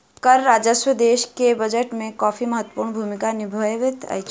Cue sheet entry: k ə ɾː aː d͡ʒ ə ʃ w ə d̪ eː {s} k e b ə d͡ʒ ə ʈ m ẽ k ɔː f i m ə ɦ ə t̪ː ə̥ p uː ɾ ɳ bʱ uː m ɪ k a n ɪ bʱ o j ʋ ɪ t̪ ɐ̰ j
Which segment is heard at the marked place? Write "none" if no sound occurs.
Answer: ʃ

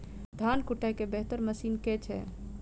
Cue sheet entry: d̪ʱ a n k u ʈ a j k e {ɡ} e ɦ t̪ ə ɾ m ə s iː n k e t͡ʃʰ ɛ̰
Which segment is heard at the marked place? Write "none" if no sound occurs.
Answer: b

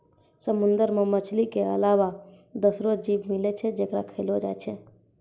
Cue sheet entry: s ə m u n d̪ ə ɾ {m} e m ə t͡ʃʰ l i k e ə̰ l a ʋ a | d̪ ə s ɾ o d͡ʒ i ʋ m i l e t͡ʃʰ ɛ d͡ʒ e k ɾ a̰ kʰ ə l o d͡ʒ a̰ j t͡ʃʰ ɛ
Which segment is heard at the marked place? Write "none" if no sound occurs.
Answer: m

